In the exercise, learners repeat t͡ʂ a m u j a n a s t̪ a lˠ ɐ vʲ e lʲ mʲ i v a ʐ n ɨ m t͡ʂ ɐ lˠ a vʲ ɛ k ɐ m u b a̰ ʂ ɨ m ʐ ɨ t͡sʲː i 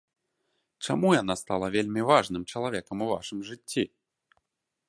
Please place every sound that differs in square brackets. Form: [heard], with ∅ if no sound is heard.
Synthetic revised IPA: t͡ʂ a m u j a n a s t̪ a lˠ ɐ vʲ e lʲ mʲ i v a ʐ n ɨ m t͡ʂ ɐ lˠ a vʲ ɛ k ɐ m u [v] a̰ ʂ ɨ m ʐ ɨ t͡sʲː i